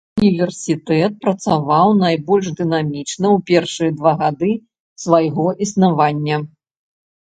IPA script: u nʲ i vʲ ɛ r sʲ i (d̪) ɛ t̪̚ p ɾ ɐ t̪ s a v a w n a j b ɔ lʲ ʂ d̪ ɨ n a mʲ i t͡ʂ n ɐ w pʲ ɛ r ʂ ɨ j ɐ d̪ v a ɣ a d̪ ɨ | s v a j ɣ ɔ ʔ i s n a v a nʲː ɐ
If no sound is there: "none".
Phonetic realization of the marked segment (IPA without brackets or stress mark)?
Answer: t̪